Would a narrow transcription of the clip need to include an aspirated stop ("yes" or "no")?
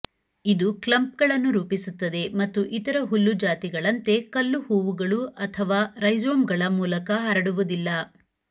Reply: yes